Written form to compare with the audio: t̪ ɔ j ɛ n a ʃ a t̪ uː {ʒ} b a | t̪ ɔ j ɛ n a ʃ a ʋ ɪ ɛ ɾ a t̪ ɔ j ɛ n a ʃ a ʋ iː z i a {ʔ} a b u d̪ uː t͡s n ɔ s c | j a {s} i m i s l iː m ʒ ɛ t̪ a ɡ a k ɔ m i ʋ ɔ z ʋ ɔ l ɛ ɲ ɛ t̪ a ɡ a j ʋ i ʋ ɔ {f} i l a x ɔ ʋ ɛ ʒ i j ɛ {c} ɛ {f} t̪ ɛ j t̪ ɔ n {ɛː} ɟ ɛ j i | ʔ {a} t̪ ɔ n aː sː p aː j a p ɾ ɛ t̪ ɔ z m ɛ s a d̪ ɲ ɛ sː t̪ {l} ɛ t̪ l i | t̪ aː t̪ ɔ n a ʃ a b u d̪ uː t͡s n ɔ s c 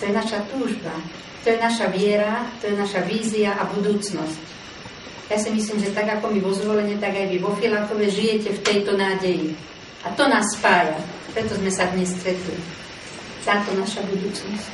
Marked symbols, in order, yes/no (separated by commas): yes, yes, yes, yes, yes, yes, no, yes, no